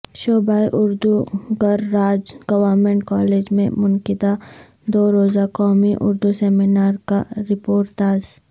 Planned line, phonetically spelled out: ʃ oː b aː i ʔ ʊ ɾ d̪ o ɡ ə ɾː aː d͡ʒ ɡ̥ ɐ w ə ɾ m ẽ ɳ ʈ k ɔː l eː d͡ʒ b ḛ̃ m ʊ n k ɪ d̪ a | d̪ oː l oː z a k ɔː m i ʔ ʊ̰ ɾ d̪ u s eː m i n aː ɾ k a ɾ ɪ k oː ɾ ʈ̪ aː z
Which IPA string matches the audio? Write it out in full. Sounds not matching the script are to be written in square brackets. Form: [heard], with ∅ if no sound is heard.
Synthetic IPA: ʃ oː b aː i ʔ ʊ ɾ d̪ [u] ɡ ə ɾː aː d͡ʒ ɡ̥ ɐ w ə ɾ m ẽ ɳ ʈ k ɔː l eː d͡ʒ [m] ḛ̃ m ʊ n k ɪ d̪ a | d̪ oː [ɾ] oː z a k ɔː m i ʔ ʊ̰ ɾ d̪ u s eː m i n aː ɾ k a ɾ ɪ [p] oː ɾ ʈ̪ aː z